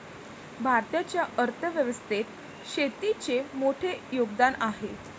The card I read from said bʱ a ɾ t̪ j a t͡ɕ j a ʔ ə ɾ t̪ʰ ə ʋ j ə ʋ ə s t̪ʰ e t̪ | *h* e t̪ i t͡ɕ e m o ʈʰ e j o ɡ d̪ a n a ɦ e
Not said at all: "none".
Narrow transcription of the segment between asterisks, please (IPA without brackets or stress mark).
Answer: ɕ